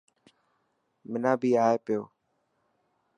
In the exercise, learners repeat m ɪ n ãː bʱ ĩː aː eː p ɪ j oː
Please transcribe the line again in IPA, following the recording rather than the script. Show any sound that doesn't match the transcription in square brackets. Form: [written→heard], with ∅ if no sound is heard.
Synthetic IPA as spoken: m ɪ n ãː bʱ [ĩː→iː] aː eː p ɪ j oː